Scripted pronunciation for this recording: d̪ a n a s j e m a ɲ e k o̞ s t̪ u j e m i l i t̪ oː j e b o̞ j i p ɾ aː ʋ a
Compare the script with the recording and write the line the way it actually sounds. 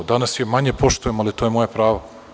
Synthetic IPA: d̪ a n a s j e m a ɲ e p o̞ ʃ t̪ u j e m a l i t̪ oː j e m o̞ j a p ɾ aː ʋ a

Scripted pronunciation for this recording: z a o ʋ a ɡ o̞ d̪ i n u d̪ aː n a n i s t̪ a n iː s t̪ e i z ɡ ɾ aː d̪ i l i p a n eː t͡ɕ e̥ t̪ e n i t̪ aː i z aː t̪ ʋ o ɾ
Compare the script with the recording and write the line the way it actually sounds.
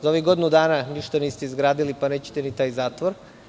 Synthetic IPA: z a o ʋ i ɡ o̞ d̪ i n u d̪ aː n a n i ʃ t̪ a n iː s t̪ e i z ɡ ɾ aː d̪ i l i p a n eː t͡ɕ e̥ t̪ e n i t̪ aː j z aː t̪ ʋ o ɾ

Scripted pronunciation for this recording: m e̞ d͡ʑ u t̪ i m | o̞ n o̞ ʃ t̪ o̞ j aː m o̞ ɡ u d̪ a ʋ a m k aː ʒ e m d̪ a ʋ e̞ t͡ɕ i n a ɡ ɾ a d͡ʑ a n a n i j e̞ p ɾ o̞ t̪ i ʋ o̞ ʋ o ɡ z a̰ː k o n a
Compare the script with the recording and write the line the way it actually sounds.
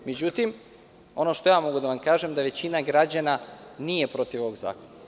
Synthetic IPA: m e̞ d͡ʑ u t̪ i m | o̞ n o̞ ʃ t̪ o̞ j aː m o̞ ɡ u d̪ a ʋ a m k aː ʒ e m d̪ a ʋ e̞ t͡ɕ i n a ɡ ɾ a d͡ʑ a n a n i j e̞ p ɾ o̞ t̪ i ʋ o̞ ʋ o ɡ z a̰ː k o n a

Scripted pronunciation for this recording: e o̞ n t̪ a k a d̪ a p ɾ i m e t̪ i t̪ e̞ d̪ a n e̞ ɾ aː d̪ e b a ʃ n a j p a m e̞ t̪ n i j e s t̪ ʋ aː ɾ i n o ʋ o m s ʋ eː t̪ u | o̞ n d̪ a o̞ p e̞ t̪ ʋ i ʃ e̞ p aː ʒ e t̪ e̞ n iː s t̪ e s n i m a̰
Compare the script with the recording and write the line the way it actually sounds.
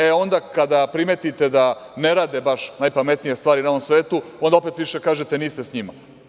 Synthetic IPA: e o̞ n d̪ a k a d̪ a p ɾ i m e t̪ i t̪ e̞ d̪ a n e̞ ɾ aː d̪ e b a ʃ n a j p a m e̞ t̪ n i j e s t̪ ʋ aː ɾ i n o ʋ o m s ʋ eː t̪ u | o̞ n d̪ a o̞ p e̞ t̪ ʋ i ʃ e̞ k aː ʒ e t̪ e̞ n iː s t̪ e s ɲ i m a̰

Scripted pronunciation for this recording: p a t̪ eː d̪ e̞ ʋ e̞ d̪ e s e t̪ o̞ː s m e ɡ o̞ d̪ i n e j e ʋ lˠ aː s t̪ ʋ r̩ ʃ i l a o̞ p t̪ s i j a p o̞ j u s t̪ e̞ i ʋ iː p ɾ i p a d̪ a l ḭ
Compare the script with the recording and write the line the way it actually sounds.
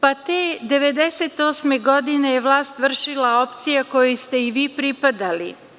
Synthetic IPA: p a t̪ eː d̪ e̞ ʋ e̞ d̪ e s e t̪ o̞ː s m e ɡ o̞ d̪ i n e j e ʋ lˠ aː s t̪ ʋ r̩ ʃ i l a o̞ p t̪ s i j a k o̞ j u s t̪ e̞ i ʋ iː p ɾ i p a d̪ a l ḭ

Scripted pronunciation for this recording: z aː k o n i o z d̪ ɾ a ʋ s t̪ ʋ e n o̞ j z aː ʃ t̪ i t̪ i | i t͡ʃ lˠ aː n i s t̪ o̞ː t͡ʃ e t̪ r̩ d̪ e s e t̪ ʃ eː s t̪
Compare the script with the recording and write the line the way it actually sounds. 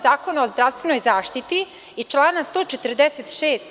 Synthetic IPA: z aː k o n a o z d̪ ɾ a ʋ s t̪ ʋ e n o̞ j z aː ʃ t̪ i t̪ i | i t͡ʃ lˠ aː n a s t̪ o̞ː t͡ʃ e t̪ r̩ d̪ e s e t̪ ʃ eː s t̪

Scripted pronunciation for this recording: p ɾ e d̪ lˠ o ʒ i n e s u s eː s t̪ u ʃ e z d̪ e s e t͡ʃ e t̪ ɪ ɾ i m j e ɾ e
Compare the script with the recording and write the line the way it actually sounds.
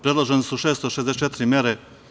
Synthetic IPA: p ɾ e d̪ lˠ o ʒ e n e s u ʃ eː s t̪ o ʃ e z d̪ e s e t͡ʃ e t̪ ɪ ɾ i m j e ɾ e

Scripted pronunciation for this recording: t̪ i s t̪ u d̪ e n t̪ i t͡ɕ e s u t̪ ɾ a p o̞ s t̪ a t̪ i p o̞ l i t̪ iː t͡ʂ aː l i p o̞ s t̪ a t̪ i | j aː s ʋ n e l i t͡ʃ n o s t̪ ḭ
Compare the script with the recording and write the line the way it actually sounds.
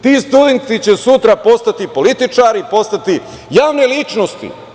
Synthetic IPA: t̪ i s t̪ u d̪ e n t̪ i t͡ɕ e s u t̪ ɾ a p o̞ s t̪ a t̪ i p o̞ l i t̪ i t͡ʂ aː ɾ i p o̞ s t̪ a t̪ i | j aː ʋ n e l i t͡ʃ n o s t̪ ḭ

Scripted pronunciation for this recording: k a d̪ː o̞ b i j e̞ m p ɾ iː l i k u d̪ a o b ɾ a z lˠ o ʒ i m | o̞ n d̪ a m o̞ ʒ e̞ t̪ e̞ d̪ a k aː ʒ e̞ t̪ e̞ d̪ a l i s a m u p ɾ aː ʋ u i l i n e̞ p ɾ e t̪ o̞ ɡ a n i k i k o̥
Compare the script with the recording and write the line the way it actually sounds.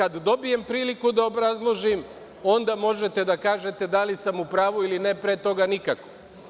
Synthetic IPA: k a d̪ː o̞ b i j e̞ m p ɾ iː l i k u d̪ a o b ɾ a z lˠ o ʒ i m | o̞ n d̪ a m o̞ ʒ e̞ t̪ e̞ d̪ a k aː ʒ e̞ t̪ e̞ d̪ a l i s a m u p ɾ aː ʋ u i l i n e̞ p ɾ e t̪ o̞ ɡ a n i k a k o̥

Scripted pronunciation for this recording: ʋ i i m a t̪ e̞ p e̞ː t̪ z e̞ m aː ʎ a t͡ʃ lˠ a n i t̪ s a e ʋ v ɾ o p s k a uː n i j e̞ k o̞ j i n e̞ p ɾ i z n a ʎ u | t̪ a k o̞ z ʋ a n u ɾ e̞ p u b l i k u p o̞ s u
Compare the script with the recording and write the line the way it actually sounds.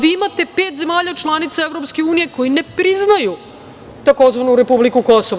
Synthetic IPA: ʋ i i m a t̪ e̞ p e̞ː t̪ z e̞ m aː ʎ a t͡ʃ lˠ a n i t̪ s a e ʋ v ɾ o p s k e uː n i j e̞ k o̞ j i n e̞ p ɾ i z n a j u | t̪ a k o̞ z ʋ a n u ɾ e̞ p u b l i k u k o̞ s o

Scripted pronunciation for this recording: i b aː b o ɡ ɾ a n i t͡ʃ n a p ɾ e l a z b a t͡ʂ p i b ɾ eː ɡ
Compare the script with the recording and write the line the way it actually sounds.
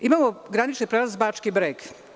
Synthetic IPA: i m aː m o ɡ ɾ a n i t͡ʃ n i p ɾ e l a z b a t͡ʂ k i b ɾ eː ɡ

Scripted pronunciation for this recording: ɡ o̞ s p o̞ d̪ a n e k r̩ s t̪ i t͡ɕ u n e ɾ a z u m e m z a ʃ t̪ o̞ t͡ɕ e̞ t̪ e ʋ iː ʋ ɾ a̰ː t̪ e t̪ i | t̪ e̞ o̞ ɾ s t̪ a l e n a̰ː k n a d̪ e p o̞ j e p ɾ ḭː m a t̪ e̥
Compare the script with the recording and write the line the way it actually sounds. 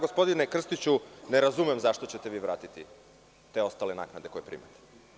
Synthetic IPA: ɡ o̞ s p o̞ d̪ i n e k r̩ s t̪ i t͡ɕ u n e ɾ a z u m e m z a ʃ t̪ o̞ t͡ɕ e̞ t̪ e ʋ iː ʋ ɾ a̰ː t̪ i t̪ i | t̪ e̞ o̞ s t̪ a l e n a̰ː k n a d̪ e k o̞ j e p ɾ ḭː m a t̪ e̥

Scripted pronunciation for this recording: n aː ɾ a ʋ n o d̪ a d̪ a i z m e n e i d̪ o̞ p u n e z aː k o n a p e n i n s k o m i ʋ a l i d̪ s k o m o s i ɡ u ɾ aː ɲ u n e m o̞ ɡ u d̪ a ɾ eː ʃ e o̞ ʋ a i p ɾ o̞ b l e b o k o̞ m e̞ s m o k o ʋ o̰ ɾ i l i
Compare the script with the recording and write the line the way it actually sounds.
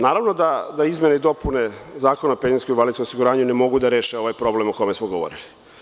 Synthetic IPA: n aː ɾ a ʋ n o d̪ a d̪ a i z m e n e i d̪ o̞ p u n e z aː k o n a p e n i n s k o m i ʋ a l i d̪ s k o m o s i ɡ u ɾ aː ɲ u n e m o̞ ɡ u d̪ a ɾ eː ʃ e o̞ ʋ a j p ɾ o̞ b l e m o k o̞ m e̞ s m o ɡ o ʋ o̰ ɾ i l i

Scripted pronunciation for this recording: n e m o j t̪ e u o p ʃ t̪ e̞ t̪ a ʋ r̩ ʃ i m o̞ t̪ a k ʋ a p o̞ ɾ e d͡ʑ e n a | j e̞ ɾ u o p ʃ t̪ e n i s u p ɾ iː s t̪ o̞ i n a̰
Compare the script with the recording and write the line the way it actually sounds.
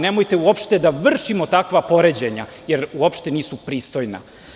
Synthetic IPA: n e m o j t̪ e u o p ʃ t̪ e̞ d̪ a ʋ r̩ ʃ i m o̞ t̪ a k ʋ a p o̞ ɾ e d͡ʑ e ɲ a | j e̞ ɾ u o p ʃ t̪ e n iː s u p ɾ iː s t̪ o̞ j n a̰

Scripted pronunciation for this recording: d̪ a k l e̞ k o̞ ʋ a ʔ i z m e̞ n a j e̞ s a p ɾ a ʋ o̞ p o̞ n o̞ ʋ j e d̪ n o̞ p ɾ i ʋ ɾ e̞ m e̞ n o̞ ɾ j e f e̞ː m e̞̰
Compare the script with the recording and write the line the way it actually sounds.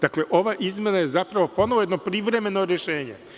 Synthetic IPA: d̪ a k l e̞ ʔ o̞ ʋ a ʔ i z m e̞ n a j e̞ z a p ɾ a ʋ o̞ p o̞ n o̞ ʋ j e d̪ n o̞ p ɾ i ʋ ɾ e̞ m e̞ n o̞ ɾ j e ʃ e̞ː ɲ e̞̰

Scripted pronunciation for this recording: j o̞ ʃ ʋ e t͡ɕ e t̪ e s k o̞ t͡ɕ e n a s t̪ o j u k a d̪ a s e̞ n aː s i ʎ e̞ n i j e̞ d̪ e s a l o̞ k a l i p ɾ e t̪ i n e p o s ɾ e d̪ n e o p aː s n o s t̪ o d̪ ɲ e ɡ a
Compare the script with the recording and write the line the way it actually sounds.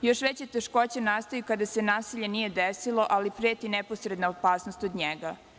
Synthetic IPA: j o̞ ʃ ʋ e t͡ɕ e t̪ e ʃ k o̞ t͡ɕ e n a s t̪ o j u k a d̪ a s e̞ n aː s i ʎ e̞ n i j e̞ d̪ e s i l o̞ ʔ a l i p ɾ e t̪ i n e p o s ɾ e d̪ n a o p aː s n o s t̪ o d̪ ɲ e ɡ a

